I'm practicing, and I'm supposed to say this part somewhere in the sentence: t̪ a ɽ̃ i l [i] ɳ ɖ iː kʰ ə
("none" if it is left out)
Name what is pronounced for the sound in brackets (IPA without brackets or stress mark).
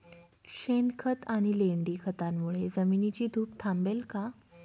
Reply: e